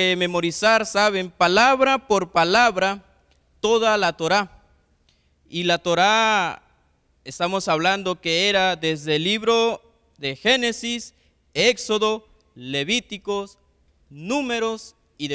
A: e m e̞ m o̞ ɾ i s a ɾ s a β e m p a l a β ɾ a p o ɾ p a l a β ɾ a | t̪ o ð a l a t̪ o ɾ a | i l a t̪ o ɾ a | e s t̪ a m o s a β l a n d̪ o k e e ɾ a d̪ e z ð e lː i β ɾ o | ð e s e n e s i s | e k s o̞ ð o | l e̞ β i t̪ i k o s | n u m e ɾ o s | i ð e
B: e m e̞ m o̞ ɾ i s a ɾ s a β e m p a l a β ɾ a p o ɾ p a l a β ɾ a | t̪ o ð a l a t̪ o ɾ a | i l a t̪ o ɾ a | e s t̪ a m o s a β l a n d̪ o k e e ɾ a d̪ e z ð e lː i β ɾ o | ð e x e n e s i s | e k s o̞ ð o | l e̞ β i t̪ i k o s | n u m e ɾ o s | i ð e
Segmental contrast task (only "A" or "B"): B